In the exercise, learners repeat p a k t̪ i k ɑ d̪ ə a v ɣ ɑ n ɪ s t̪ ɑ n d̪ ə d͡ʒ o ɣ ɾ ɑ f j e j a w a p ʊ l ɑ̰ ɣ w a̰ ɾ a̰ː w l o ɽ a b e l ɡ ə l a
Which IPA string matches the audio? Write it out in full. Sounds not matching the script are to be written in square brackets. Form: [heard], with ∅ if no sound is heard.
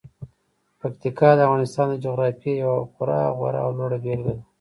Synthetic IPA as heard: p a k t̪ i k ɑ d̪ ə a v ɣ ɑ n ɪ s t̪ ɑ n d̪ ə d͡ʒ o ɣ ɾ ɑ f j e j a w a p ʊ [ɾ] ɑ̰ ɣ w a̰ ɾ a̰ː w l o ɽ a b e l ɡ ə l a